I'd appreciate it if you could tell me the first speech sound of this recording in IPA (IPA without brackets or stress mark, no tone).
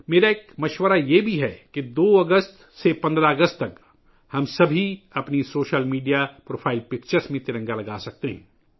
m